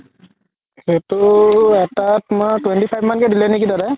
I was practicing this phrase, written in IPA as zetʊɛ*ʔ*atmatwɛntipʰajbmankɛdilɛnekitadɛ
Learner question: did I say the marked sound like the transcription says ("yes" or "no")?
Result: no